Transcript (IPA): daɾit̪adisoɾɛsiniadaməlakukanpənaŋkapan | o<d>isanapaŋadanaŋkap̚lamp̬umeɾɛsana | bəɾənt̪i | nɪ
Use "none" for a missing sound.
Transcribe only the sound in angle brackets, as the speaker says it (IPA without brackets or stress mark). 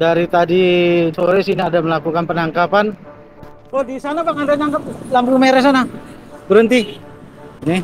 d